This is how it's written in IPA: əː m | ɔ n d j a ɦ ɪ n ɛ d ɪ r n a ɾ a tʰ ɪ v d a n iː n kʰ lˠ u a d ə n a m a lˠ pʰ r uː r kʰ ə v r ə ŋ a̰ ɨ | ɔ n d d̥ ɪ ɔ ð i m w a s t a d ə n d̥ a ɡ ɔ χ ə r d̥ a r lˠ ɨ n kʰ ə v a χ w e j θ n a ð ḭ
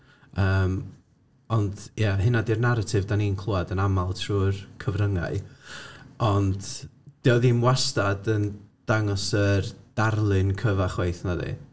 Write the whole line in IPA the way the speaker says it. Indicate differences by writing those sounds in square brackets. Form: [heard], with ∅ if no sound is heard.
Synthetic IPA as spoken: əː m | ɔ n d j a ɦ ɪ n [a] d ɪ r n a ɾ a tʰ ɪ v d a n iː n kʰ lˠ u a d ə n a m a lˠ [tʰ] r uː r kʰ ə v r ə ŋ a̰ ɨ | ɔ n d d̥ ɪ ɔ ð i m w a s t a d ə n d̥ a [ŋ] ɔ [s] ə r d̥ a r lˠ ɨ n kʰ ə v a χ w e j θ n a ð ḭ